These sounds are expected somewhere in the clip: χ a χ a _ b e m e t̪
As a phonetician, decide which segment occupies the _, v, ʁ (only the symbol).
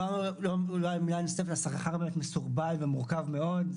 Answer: ʁ